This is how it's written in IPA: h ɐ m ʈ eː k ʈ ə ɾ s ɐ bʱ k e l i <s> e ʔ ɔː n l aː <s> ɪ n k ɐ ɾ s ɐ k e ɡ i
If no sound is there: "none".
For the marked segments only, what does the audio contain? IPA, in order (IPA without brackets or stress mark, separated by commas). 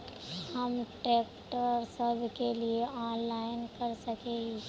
none, none